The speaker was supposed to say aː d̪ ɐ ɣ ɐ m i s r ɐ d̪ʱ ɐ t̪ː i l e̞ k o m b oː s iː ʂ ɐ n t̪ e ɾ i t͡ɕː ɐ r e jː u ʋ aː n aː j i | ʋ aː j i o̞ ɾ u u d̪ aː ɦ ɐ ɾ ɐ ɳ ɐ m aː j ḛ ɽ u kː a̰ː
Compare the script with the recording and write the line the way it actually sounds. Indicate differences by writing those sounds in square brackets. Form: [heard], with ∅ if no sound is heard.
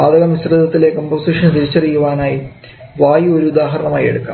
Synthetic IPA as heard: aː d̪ ɐ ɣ ɐ m i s r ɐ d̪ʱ ɐ t̪ː i l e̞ k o m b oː s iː ʂ ɐ n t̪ [i] ɾ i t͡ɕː ɐ r [i] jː u ʋ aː n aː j i | ʋ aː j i o̞ ɾ u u d̪ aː ɦ ɐ ɾ ɐ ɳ ɐ m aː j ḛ ɽ u kː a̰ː